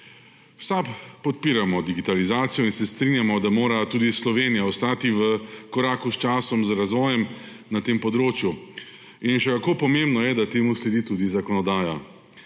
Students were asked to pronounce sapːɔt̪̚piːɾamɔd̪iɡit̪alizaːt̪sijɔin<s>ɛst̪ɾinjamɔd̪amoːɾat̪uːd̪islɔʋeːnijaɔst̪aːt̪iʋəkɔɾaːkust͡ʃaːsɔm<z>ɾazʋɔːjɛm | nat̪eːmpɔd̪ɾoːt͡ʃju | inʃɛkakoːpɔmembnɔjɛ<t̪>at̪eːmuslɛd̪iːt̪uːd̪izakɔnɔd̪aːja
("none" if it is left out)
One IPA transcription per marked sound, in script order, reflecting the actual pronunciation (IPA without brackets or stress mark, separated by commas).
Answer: s, z, d̪